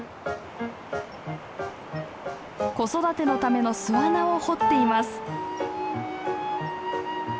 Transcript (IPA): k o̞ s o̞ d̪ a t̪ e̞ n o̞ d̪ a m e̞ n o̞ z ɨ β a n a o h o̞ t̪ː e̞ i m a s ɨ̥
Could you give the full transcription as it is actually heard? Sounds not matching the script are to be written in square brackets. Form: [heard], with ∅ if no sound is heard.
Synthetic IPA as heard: k o̞ s o̞ d̪ a t̪ e̞ n o̞ [t̪] a m e̞ n o̞ [s] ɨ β a n a o h o̞ t̪ː e̞ i m a s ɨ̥